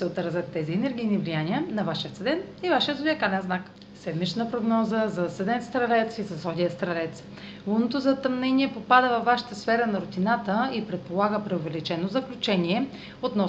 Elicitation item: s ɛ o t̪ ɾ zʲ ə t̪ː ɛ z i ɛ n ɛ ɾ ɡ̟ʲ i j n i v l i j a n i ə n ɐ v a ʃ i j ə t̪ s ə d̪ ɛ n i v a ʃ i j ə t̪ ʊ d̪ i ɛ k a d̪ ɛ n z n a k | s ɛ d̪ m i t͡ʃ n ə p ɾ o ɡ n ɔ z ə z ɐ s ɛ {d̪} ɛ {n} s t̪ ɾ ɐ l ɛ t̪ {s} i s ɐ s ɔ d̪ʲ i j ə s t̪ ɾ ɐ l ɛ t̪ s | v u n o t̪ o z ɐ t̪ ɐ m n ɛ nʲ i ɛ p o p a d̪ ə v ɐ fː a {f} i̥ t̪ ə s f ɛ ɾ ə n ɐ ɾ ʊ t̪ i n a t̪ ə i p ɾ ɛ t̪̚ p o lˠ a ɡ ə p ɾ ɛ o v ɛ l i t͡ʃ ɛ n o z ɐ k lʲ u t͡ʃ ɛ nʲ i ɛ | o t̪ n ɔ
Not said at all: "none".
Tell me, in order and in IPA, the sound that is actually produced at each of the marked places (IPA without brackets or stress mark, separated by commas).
d̪, n, s, ʃ